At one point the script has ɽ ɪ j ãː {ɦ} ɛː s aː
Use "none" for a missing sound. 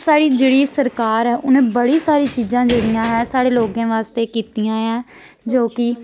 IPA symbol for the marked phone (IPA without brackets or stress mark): ɦ